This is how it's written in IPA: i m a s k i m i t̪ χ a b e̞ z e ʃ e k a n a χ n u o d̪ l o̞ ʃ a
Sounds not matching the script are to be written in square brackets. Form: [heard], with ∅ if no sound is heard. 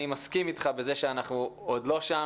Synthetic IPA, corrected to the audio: i m a s k i m i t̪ χ a b e̞ z e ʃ e [∅] a n a χ n u o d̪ l o̞ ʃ a